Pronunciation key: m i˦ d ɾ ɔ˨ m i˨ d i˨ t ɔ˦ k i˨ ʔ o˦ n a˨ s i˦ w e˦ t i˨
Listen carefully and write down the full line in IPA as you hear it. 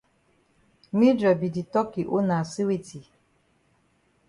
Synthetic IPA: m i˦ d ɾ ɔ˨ b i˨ d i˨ t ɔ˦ k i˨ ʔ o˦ n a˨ s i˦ w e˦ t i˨